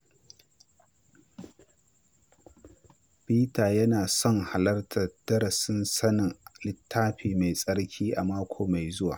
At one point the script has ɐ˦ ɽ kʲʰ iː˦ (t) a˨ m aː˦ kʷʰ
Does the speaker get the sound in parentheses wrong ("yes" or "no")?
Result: yes